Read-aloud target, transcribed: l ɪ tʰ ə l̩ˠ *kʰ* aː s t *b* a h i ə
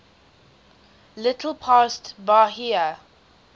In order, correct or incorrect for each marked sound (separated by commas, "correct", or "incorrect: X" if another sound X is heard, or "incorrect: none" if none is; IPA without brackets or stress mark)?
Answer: incorrect: pʰ, correct